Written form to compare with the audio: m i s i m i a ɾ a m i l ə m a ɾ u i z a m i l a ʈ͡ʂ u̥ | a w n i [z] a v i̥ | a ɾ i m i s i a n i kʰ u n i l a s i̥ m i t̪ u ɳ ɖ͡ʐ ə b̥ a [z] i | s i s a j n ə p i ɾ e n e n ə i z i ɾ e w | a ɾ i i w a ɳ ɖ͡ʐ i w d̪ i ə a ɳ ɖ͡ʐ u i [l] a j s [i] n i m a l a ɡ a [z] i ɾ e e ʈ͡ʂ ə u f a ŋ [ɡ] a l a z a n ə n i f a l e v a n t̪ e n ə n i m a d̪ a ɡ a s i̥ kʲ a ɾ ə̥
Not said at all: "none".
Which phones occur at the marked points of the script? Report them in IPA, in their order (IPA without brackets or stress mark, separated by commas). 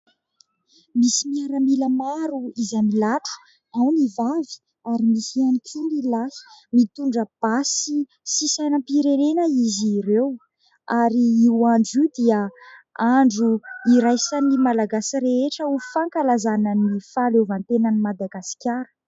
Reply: v, s, ɾ, a, s, k